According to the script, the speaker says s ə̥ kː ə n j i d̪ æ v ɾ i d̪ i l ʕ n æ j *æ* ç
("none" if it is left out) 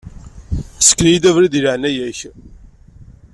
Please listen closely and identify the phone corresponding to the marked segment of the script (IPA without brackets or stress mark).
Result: æ